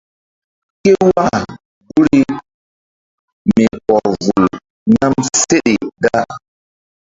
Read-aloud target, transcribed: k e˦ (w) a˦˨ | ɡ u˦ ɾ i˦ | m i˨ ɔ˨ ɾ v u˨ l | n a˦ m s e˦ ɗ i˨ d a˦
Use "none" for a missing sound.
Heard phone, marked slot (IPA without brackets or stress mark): w